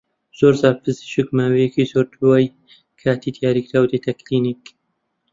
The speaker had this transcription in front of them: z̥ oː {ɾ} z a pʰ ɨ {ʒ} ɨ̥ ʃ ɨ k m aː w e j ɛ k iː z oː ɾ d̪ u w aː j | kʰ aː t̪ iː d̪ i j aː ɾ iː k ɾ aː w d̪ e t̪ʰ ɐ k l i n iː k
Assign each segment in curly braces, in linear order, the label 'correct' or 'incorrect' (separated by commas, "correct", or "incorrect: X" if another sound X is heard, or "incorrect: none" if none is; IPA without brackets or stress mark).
correct, incorrect: z